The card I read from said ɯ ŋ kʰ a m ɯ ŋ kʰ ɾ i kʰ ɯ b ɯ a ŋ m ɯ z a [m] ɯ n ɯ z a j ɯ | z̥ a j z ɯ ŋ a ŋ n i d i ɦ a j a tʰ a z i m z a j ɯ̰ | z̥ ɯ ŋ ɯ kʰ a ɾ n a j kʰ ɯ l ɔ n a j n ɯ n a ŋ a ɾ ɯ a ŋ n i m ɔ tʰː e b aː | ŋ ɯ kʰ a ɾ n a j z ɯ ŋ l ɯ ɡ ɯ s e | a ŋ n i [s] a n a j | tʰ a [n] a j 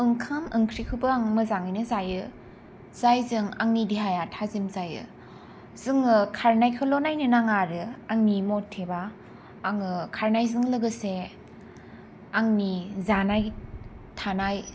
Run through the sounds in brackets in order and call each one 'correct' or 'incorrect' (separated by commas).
incorrect, incorrect, correct